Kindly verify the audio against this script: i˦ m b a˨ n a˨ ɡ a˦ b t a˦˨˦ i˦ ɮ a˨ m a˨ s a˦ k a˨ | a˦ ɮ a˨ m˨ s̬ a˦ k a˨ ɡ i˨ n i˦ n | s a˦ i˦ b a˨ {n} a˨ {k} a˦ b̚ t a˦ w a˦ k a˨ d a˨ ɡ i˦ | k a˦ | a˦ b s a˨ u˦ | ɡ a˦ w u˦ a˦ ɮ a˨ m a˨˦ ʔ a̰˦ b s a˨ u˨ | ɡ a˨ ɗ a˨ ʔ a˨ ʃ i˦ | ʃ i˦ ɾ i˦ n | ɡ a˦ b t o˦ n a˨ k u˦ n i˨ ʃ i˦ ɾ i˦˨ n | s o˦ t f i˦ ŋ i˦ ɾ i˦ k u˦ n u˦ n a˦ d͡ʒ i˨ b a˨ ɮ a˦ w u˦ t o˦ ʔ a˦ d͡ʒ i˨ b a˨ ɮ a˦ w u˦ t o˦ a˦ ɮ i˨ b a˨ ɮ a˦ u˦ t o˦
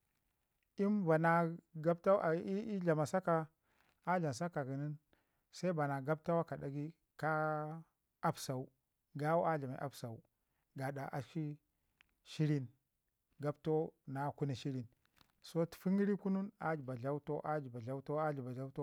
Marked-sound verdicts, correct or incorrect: correct, incorrect: ɡ

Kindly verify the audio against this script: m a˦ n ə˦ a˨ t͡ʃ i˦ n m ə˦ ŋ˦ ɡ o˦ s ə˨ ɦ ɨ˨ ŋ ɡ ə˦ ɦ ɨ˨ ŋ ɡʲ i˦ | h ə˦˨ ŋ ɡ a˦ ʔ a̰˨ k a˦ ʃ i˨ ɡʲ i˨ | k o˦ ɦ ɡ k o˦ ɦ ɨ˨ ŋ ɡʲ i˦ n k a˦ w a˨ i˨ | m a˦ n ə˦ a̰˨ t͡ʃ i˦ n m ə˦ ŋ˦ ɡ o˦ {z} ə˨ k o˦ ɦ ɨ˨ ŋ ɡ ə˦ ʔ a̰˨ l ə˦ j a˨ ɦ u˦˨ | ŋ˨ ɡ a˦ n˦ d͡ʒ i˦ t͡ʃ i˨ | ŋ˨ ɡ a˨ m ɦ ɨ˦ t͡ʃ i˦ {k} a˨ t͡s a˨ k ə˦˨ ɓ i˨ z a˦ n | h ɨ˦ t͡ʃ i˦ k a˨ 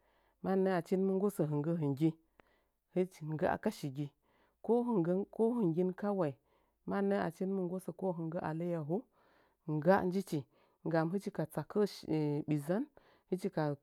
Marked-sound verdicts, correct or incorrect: incorrect: s, correct

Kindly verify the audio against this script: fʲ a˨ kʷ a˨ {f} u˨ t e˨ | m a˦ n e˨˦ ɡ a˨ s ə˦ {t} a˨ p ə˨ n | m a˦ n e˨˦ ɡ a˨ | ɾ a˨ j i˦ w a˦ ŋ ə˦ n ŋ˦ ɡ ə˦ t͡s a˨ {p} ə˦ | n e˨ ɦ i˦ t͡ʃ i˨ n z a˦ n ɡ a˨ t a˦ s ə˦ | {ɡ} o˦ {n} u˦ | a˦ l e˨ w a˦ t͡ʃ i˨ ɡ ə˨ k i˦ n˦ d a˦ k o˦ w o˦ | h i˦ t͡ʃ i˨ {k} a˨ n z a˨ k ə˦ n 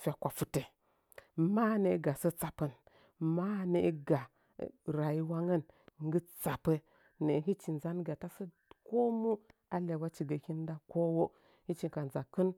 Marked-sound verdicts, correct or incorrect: correct, incorrect: t͡s, correct, incorrect: k, incorrect: m, correct

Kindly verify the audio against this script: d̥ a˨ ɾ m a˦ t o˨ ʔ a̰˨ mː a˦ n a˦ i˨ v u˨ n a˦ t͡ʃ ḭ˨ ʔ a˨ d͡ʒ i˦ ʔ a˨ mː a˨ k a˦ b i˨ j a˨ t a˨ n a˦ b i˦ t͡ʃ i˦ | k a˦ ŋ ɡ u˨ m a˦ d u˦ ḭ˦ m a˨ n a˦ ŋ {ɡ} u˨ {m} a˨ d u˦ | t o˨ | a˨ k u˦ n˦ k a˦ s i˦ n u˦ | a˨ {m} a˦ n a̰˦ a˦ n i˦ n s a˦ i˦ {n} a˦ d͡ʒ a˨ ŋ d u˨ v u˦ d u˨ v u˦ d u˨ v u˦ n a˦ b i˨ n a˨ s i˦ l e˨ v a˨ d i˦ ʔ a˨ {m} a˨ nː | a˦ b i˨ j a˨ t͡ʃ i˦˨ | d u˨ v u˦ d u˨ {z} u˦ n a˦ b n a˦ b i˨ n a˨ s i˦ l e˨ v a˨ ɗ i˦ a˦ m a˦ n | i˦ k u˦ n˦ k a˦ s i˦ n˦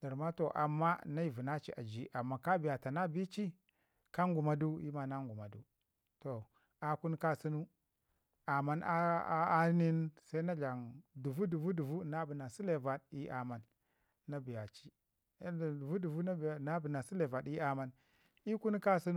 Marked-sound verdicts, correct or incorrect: correct, correct, correct, correct, correct, incorrect: v

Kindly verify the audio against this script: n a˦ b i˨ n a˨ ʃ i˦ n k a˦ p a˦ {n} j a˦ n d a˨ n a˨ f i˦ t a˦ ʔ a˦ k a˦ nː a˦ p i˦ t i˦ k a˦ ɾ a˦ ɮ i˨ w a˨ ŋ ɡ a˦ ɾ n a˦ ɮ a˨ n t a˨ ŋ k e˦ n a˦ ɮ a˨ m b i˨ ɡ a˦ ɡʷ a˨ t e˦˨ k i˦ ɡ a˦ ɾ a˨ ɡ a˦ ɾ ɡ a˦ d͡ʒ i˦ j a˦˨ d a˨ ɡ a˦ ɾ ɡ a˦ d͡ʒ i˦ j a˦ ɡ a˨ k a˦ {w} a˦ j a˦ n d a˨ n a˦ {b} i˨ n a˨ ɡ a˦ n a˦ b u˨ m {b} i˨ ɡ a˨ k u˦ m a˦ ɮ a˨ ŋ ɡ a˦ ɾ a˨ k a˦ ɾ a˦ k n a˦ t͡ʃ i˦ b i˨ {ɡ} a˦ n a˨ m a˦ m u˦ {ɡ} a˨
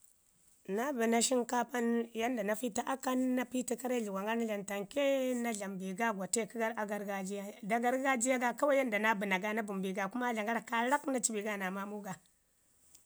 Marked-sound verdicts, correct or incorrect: correct, correct, correct, correct, correct, correct

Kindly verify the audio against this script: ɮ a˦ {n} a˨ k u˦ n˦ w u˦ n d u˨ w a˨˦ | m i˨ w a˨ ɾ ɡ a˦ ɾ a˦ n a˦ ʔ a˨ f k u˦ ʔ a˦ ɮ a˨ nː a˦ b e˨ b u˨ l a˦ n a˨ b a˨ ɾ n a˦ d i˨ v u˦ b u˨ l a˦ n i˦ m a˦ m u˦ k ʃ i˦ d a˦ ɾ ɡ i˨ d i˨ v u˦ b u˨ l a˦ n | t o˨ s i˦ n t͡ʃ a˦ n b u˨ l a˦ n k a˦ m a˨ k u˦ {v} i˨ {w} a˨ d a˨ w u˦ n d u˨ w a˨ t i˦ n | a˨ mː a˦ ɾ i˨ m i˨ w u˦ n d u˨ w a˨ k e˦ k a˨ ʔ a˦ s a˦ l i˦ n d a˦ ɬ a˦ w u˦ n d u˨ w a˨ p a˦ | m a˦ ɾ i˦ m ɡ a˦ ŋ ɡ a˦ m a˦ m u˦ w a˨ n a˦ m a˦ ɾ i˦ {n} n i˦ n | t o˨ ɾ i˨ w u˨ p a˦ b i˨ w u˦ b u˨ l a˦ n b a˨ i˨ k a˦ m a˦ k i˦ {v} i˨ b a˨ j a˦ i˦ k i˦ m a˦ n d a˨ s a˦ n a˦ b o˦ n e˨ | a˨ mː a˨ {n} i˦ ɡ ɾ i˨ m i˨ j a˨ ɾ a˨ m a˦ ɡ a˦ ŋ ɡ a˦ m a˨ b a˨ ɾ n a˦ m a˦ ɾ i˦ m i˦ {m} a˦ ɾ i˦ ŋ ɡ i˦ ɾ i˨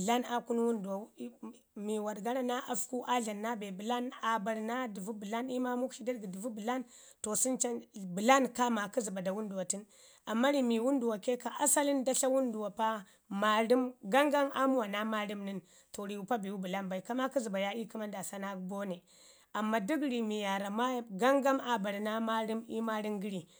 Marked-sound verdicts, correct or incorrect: correct, incorrect: z, incorrect: b, incorrect: m, incorrect: z, incorrect: d, correct

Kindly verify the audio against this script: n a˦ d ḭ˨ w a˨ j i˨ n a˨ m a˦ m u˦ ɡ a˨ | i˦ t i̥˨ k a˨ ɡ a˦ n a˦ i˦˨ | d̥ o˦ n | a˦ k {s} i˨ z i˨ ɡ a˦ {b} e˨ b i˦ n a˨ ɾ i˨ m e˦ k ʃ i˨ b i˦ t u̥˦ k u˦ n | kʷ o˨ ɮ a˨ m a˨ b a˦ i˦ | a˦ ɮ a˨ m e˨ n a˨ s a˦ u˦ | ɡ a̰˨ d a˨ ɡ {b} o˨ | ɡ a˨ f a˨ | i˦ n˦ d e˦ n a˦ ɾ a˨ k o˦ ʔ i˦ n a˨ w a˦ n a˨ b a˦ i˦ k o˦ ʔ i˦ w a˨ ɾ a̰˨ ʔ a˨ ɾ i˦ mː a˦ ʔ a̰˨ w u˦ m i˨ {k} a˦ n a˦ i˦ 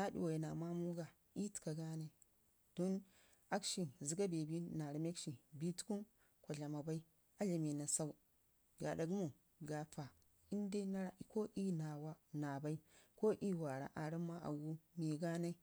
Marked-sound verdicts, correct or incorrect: incorrect: ʃ, correct, incorrect: m, incorrect: ɡ

